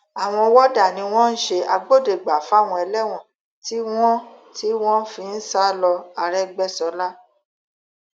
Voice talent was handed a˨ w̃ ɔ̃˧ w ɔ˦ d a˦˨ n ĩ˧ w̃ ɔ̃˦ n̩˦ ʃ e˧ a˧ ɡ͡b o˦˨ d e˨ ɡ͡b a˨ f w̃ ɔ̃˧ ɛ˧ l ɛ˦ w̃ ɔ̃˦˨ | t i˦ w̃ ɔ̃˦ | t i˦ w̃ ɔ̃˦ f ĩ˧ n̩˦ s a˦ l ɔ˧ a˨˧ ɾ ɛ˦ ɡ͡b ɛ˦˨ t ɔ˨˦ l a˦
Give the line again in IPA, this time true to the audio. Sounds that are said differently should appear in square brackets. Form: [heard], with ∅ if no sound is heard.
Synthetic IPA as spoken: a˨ w̃ ɔ̃˧ w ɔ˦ d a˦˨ n ĩ˧ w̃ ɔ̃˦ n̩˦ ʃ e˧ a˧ ɡ͡b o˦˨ d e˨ ɡ͡b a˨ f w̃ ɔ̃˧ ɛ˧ l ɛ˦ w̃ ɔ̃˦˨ | t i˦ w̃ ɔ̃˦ | t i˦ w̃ ɔ̃˦ f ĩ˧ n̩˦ s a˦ l ɔ˧ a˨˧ ɾ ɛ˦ ɡ͡b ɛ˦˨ [s] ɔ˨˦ l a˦